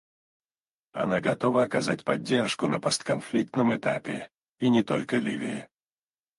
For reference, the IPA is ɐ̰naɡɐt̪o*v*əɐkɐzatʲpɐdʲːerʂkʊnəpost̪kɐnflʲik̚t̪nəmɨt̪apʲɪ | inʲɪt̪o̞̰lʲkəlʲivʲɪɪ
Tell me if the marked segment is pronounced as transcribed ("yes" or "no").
yes